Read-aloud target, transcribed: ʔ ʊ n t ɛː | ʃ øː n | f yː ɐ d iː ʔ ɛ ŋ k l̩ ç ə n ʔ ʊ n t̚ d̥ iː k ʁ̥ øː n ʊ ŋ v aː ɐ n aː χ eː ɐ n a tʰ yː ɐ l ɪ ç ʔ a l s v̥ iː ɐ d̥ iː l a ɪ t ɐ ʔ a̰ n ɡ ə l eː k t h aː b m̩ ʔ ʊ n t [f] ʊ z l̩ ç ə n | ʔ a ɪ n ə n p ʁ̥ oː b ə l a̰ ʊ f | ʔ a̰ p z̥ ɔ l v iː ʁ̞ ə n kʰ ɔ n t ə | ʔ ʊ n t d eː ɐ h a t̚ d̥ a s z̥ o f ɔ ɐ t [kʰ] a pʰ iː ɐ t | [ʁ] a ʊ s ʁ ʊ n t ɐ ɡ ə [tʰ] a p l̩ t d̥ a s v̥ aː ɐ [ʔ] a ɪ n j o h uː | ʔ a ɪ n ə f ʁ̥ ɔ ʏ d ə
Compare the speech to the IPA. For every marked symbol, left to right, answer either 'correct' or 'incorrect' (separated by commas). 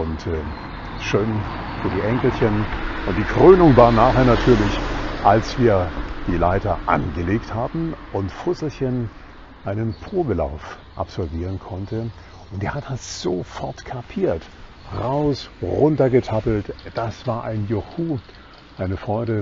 correct, correct, correct, correct, correct